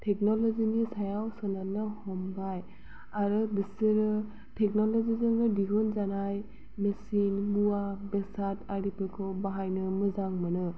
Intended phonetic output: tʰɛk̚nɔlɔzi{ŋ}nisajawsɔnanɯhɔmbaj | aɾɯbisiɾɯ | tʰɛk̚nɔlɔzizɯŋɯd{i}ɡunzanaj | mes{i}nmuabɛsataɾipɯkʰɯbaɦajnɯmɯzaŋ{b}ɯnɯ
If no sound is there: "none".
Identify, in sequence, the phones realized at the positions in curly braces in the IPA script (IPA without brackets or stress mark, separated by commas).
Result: none, i, i, m